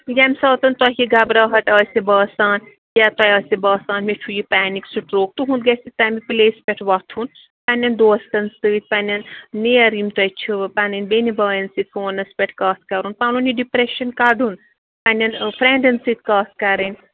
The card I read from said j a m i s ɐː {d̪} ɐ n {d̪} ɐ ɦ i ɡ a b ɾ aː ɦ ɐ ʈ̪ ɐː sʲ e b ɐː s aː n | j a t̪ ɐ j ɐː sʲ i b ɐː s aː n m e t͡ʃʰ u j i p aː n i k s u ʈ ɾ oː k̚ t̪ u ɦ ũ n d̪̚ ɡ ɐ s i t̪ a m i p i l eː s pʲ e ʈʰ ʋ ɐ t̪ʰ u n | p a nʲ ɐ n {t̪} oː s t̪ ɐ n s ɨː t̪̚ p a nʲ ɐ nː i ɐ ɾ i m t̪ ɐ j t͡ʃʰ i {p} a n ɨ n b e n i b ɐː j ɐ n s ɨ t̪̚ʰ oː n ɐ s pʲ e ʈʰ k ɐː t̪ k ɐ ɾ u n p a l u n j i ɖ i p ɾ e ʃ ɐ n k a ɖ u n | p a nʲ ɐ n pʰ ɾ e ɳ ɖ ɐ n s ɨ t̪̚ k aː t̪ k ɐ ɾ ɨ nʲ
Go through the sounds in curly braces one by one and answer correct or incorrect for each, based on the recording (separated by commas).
incorrect, incorrect, incorrect, correct